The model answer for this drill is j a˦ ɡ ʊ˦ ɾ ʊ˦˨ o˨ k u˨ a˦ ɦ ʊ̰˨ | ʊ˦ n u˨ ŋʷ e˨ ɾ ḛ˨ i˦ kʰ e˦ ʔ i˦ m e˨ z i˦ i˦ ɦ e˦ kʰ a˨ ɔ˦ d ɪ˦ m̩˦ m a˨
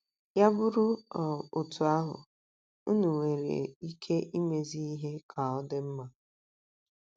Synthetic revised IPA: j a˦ b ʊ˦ ɾ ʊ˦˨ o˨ t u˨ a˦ ɦ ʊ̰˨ | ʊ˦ n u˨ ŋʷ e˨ ɾ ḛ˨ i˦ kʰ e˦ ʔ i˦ m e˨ z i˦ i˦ ɦ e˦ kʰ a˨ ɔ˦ d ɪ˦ m̩˦ m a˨

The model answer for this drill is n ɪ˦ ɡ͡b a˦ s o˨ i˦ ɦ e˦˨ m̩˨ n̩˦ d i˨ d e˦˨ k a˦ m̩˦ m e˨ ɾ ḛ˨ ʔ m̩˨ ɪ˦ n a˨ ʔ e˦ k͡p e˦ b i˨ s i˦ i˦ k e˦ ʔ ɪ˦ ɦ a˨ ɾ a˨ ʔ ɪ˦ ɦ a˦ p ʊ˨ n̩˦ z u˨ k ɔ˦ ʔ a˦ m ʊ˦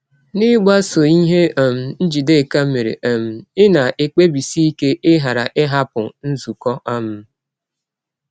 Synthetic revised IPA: n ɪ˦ ɡ͡b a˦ s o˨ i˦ ɦ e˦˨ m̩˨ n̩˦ d͡ʒ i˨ d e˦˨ k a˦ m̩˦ m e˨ ɾ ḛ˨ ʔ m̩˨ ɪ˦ n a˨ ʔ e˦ k͡p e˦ b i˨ s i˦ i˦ k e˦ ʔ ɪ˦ ɦ a˨ ɾ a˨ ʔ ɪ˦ ɦ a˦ p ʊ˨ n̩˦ z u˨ k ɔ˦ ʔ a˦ m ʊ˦

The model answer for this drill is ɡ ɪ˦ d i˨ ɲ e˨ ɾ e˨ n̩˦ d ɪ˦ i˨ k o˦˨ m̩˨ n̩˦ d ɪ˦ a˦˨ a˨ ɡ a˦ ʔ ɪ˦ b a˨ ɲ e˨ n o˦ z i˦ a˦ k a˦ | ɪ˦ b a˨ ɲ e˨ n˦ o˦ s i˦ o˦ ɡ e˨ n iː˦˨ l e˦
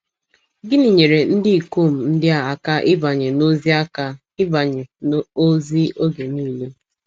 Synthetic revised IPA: ɡ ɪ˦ n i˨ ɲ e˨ ɾ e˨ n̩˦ d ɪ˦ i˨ k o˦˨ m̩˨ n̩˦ d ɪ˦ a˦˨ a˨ k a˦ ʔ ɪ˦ b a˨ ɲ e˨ n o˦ z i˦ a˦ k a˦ | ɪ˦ b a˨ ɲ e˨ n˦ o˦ z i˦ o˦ ɡ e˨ n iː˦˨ l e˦

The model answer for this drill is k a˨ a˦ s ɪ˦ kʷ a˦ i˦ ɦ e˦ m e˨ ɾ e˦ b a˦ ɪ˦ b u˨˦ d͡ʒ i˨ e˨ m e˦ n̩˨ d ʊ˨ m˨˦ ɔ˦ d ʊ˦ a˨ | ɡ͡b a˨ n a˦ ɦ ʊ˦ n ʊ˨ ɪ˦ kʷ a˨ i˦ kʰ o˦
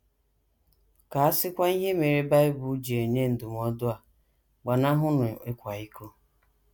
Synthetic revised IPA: k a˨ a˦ s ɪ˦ kʷ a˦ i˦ ɦ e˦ m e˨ ɾ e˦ b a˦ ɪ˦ b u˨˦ d͡ʒ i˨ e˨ ɲ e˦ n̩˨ d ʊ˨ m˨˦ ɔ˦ d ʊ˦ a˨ | ɡ͡b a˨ n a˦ ɦ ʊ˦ n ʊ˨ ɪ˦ kʷ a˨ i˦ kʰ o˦

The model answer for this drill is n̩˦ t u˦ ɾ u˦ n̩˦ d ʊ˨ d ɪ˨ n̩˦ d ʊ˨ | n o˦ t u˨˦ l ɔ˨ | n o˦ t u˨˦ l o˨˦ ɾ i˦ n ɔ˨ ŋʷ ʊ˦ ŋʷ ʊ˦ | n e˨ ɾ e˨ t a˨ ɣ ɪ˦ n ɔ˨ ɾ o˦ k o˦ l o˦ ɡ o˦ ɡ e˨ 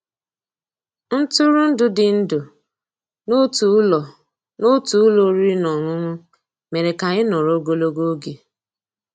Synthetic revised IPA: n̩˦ t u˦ ɾ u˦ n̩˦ d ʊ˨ d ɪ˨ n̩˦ d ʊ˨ | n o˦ t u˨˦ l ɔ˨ | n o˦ t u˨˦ l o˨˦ ɾ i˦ n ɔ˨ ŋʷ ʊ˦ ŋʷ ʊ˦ | m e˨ ɾ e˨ k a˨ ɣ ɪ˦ n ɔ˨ ɾ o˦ ɡ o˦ l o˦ ɡ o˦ ɡ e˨

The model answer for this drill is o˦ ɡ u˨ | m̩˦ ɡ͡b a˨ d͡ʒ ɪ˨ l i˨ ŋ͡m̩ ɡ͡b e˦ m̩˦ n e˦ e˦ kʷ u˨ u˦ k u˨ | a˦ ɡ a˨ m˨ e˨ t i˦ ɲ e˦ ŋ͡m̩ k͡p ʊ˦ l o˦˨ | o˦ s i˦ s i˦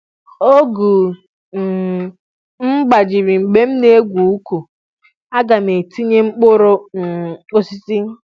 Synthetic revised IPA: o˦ ɡ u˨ | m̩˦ ɡ͡b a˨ d͡ʒ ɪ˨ ɾ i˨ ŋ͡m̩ ɡ͡b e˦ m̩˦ n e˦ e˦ ɡʷ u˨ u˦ k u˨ | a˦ ɡ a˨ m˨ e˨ t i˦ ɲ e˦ ŋ͡m̩ k͡p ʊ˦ ɾ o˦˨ | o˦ s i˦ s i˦

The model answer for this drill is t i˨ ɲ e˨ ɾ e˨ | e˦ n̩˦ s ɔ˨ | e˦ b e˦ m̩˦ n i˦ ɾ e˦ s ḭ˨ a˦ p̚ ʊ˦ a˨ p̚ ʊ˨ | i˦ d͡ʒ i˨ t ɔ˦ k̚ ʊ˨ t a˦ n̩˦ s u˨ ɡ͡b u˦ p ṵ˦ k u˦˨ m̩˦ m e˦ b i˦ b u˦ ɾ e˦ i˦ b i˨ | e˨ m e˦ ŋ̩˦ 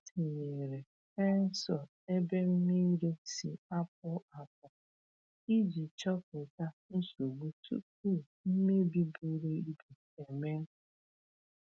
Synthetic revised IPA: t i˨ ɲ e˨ ɾ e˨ | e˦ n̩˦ s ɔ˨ | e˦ b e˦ m̩˦ n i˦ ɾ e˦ s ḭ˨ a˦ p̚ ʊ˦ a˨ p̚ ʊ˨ | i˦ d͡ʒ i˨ t͡ʃ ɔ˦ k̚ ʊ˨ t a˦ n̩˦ s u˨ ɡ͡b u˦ t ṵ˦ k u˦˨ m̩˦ m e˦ b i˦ b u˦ ɾ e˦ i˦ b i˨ | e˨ m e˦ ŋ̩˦

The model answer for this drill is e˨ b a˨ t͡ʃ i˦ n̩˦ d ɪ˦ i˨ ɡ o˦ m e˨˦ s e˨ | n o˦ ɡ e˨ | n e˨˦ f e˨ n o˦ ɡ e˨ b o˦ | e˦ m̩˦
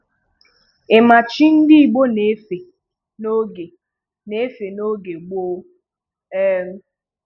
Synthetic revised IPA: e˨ m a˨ t͡ʃ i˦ n̩˦ d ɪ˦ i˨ ɡ͡b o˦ n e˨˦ f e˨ | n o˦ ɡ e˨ | n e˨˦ f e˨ n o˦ ɡ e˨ ɡ͡b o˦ | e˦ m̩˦

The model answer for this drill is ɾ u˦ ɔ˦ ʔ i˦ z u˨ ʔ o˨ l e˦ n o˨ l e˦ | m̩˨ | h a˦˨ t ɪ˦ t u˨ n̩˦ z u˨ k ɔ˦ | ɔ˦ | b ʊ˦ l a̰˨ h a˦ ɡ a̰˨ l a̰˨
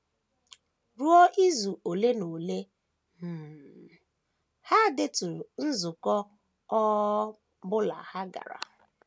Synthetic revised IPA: ɾ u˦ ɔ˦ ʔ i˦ z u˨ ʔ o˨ l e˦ n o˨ l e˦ | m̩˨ | h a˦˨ d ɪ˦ t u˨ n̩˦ z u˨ k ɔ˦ | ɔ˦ | b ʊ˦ l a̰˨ h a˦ ɡ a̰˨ ɾ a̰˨

